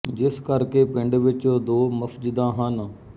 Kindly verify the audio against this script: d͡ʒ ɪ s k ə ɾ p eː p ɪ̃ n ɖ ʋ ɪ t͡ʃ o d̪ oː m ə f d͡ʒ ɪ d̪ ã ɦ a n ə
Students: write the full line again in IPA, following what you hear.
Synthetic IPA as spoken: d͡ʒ ɪ s k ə ɾ k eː p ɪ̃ ɳ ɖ ʋ ɪ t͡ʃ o d̪ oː m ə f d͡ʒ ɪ d̪ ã ɦ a n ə